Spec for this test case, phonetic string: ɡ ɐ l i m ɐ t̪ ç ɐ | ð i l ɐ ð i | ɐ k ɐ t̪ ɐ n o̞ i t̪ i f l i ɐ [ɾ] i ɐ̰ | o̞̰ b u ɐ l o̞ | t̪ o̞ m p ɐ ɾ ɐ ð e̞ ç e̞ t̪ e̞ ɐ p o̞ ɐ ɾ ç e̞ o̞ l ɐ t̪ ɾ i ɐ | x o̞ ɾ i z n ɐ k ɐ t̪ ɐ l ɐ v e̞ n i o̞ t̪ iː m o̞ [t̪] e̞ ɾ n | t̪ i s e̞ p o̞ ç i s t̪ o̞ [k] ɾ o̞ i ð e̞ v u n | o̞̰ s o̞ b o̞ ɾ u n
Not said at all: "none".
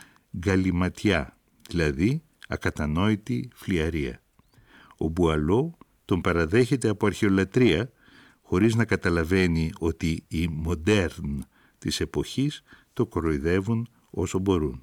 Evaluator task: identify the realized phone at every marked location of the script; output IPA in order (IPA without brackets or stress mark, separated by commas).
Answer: ɾ, d̪, k